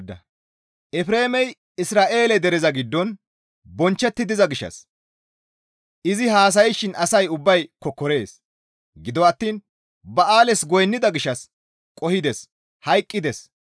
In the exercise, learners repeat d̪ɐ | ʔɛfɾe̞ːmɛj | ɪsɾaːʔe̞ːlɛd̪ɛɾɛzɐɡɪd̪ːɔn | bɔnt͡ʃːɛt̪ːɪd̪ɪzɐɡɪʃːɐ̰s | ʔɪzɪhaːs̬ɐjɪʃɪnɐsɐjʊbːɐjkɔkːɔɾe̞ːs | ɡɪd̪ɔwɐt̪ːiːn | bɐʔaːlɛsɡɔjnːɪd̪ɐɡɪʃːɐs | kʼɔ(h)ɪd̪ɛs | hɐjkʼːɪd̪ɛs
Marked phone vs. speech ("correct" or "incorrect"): correct